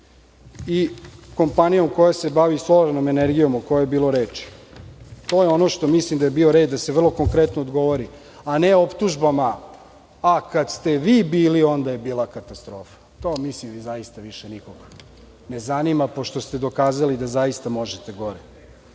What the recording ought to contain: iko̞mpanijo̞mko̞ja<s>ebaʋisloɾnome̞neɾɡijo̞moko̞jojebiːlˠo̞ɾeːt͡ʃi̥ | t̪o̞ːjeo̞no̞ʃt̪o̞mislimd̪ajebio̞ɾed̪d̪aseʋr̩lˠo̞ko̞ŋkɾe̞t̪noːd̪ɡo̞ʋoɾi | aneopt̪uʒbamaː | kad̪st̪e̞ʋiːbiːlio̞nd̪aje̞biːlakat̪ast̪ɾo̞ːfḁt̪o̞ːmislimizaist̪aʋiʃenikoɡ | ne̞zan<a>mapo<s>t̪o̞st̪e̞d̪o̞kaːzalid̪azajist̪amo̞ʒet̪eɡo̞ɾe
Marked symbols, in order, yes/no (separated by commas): yes, no, no